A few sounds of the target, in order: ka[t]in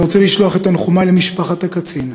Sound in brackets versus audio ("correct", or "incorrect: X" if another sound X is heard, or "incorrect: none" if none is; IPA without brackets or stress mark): incorrect: t͡s